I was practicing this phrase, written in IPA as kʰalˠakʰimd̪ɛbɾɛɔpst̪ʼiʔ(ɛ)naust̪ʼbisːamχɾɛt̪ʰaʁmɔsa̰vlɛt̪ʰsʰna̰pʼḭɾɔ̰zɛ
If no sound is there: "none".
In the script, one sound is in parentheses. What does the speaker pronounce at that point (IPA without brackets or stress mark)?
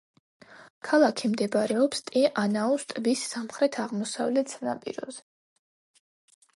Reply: a